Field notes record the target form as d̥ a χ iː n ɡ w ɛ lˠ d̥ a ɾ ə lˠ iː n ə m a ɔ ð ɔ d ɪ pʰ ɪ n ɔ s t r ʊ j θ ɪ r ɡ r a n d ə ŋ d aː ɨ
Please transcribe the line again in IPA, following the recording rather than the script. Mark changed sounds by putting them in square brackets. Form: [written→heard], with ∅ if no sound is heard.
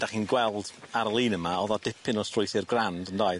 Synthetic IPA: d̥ a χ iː n ɡ w ɛ lˠ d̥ a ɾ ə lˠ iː n ə m a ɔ ð ɔ d ɪ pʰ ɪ n ɔ s t r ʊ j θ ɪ r ɡ r a n d ə [ŋ→n] d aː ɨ